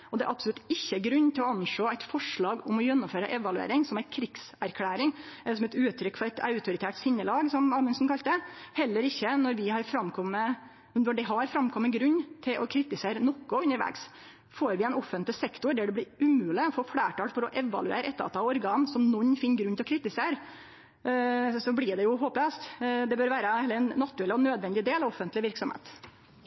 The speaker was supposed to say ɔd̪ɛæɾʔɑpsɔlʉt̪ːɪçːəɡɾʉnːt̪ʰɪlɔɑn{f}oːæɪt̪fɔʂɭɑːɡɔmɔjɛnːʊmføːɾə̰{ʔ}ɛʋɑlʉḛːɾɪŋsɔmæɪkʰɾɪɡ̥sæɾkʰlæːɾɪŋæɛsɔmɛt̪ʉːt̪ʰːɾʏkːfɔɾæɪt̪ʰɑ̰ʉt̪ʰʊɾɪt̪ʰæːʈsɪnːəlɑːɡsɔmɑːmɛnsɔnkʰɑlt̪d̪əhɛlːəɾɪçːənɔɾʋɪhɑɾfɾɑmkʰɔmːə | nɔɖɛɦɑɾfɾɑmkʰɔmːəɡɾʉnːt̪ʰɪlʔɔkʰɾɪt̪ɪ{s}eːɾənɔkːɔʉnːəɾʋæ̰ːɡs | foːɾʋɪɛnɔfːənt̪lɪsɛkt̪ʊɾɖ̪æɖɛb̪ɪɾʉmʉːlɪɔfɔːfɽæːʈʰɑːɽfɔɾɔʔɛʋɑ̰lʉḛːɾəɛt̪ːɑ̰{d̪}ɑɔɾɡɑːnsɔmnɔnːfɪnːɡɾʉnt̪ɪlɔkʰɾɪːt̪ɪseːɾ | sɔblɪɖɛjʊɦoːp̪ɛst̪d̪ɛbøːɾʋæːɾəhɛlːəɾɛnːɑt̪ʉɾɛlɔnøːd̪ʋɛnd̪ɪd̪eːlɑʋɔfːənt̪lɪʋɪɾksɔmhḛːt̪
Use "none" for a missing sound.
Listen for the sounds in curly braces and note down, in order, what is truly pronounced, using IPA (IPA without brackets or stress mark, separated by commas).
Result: ʂ, ʔ, s, t̪